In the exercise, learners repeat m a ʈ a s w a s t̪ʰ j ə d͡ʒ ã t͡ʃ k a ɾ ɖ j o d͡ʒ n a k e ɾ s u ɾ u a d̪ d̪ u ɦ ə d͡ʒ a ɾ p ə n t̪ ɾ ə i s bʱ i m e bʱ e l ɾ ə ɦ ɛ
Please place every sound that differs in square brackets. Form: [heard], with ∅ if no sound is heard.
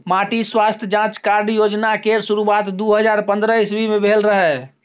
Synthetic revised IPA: m a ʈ [i] s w a s t̪ʰ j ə d͡ʒ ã t͡ʃ k a ɾ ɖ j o d͡ʒ n a k e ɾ s u ɾ u a [t̪] d̪ u ɦ ə d͡ʒ a ɾ p ə n [d̪] ɾ ə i s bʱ i m e bʱ e l ɾ ə ɦ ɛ